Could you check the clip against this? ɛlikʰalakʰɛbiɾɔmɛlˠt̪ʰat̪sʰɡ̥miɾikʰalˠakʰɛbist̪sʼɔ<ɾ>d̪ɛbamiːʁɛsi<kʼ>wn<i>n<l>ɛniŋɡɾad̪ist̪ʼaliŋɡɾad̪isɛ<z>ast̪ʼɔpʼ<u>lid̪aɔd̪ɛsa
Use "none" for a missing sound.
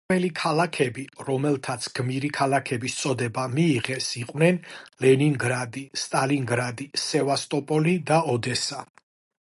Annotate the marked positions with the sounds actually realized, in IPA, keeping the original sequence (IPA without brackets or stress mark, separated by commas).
none, qʼ, ɛ, l, v, ɔ